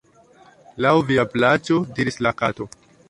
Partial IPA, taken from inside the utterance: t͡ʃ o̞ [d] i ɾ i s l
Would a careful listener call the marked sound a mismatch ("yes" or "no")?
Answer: no